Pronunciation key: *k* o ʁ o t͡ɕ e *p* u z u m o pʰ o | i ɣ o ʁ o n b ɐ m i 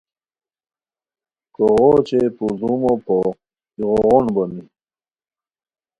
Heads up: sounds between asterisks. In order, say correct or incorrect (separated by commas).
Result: correct, correct